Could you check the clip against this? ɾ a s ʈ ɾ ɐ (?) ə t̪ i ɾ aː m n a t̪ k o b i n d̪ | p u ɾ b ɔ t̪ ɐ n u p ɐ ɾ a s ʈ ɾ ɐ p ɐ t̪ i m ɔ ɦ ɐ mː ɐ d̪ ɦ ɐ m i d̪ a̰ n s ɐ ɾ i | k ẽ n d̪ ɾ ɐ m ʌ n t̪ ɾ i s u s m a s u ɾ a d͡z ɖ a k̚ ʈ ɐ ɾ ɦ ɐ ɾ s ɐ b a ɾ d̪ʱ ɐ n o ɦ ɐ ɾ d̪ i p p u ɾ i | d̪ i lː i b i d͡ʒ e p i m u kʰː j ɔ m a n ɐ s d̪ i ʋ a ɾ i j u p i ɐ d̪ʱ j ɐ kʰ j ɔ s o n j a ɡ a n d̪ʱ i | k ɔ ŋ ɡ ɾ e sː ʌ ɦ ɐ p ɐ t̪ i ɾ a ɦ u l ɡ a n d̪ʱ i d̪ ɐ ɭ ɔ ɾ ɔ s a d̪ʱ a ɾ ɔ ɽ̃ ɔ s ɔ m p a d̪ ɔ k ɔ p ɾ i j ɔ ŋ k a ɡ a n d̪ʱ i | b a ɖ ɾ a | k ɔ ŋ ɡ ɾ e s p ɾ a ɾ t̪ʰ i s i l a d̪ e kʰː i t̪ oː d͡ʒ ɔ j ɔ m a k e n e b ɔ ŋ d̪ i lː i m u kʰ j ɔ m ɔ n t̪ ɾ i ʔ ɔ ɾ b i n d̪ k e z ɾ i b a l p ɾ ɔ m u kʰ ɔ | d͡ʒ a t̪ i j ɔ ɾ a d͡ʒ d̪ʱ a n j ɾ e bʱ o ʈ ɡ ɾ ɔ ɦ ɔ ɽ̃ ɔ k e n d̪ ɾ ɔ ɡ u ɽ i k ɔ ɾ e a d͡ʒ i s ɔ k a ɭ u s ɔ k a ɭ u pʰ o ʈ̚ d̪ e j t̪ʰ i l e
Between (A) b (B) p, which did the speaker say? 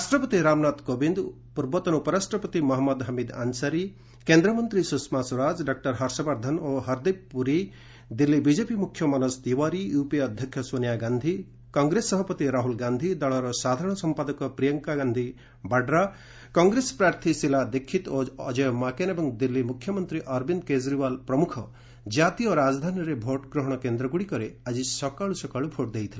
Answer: B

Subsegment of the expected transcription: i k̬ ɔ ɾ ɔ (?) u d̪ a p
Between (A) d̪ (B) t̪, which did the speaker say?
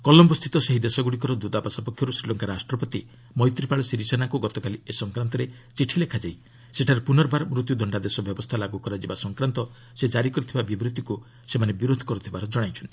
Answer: A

